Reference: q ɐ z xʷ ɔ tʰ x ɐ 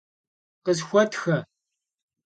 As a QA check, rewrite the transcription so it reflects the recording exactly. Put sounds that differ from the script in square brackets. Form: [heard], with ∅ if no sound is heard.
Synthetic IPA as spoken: q [ə] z xʷ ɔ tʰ x ɐ